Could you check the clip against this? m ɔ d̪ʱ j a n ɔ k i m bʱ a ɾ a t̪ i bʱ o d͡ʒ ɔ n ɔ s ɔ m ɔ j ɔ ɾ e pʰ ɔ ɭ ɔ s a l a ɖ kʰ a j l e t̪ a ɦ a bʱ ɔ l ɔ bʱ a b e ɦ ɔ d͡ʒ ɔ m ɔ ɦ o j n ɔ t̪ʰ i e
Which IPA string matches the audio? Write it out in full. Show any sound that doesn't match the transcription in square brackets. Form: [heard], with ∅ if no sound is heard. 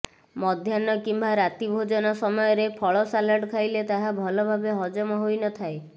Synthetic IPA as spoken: m ɔ d̪ʱ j a n ɔ k i m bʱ a ɾ a t̪ i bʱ o d͡ʒ ɔ n ɔ s ɔ m ɔ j ɔ ɾ e pʰ ɔ ɭ ɔ s a l a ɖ kʰ a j l e t̪ a ɦ a bʱ ɔ l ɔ bʱ a b e ɦ ɔ d͡ʒ ɔ m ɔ ɦ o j n ɔ t̪ʰ [a] e

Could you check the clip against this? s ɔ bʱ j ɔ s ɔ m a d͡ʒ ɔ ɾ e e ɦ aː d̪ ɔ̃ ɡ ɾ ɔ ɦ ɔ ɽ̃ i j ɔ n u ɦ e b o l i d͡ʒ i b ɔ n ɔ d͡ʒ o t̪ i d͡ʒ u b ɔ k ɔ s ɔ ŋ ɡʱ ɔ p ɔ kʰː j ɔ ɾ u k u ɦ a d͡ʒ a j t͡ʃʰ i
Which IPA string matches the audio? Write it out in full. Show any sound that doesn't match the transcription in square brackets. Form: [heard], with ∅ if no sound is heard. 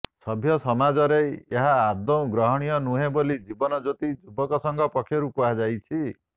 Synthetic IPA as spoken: s ɔ bʱ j ɔ s ɔ m a d͡ʒ ɔ ɾ e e ɦ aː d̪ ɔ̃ ɡ ɾ ɔ ɦ ɔ ɽ̃ i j ɔ n u ɦ e b o l i d͡ʒ i b ɔ n ɔ d͡ʒ o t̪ i d͡ʒ u b ɔ k ɔ s ɔ ŋ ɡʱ ɔ p ɔ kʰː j ɔ ɾ u k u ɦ a d͡ʒ a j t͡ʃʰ i

